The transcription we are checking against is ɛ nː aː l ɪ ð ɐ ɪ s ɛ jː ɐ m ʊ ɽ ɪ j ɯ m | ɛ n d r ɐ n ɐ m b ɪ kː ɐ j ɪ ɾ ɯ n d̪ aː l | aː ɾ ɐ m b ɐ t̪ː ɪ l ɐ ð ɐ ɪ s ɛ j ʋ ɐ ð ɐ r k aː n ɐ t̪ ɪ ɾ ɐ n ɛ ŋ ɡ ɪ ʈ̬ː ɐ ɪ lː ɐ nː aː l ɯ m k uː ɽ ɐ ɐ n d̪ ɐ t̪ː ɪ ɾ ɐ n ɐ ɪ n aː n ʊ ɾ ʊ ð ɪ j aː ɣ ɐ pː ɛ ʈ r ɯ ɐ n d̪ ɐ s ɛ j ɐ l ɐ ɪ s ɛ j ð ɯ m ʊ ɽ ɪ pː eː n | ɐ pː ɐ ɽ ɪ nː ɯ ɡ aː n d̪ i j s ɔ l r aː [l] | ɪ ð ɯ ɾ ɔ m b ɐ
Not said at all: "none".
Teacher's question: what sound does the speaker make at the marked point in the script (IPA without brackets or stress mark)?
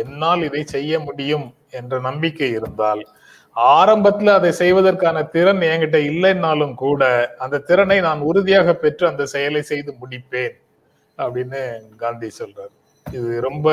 ɾ